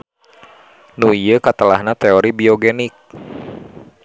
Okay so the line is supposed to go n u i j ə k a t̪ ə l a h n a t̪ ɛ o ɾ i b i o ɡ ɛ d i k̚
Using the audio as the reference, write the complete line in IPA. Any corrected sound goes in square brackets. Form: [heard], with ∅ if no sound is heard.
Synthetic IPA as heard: n u i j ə k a t̪ ə l a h n a t̪ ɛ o ɾ i b i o ɡ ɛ [n] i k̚